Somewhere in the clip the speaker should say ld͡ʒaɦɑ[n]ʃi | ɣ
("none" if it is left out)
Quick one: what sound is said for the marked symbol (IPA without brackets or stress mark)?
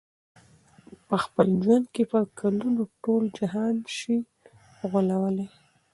n